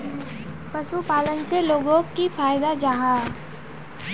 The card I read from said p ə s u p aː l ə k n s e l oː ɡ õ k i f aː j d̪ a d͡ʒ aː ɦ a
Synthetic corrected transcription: p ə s u p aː l ə n s e l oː ɡ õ k i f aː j d̪ a d͡ʒ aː ɦ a